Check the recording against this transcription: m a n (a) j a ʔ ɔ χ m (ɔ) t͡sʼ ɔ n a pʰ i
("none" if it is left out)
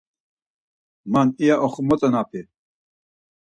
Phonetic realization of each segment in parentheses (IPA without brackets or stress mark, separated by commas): i, ɔ